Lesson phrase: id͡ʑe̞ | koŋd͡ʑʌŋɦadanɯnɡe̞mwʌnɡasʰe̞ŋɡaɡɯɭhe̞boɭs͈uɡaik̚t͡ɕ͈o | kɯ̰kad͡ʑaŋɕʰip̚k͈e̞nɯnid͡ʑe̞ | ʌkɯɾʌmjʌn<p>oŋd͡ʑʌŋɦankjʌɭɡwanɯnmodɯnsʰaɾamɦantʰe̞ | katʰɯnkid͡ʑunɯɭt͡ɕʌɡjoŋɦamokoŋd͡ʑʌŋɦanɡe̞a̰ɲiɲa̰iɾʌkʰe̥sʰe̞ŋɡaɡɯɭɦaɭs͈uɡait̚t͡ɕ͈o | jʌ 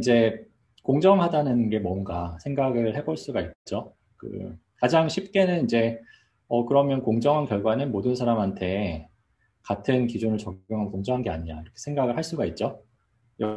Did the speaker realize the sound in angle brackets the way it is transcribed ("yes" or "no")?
no